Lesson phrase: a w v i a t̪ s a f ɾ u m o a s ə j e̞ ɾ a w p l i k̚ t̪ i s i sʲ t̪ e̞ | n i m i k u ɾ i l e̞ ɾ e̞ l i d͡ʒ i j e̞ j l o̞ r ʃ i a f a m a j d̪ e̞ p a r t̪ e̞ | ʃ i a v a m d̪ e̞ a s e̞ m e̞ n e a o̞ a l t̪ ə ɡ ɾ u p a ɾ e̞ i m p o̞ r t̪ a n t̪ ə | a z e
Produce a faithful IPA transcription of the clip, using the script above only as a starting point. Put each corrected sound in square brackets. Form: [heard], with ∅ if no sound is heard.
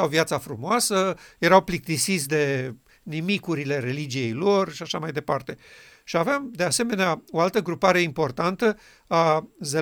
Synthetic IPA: a w v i a t̪ s a f ɾ u m o a s ə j e̞ ɾ a w p l i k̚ t̪ i s i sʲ [d̪] e̞ | n i m i k u ɾ i l e̞ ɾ e̞ l i d͡ʒ i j e̞ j l o̞ r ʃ i a [ʃ] a m a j d̪ e̞ p a r t̪ e̞ | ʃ i a v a m d̪ e̞ a s e̞ m e̞ n e a o̞ a l t̪ ə ɡ ɾ u p a ɾ e̞ i m p o̞ r t̪ a n t̪ ə | a z e